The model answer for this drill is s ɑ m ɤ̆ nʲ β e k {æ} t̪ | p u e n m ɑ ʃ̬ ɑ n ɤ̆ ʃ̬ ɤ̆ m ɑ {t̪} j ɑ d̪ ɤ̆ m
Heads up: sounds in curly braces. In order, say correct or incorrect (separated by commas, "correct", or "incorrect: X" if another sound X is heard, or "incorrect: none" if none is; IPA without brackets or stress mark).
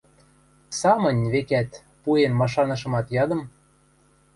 correct, correct